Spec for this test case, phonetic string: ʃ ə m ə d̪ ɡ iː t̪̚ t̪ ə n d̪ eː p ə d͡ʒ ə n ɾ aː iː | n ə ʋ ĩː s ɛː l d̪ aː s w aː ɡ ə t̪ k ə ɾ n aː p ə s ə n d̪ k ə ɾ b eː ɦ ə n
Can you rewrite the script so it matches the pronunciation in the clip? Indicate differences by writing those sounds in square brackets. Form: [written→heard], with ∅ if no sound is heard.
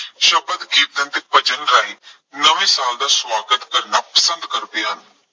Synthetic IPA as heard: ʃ ə [m→b] ə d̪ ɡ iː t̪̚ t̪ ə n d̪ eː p ə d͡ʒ ə n ɾ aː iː | n ə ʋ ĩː s [ɛː→aː] l d̪ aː s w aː ɡ ə t̪ k ə ɾ n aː p ə s ə n d̪ k ə ɾ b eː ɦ ə n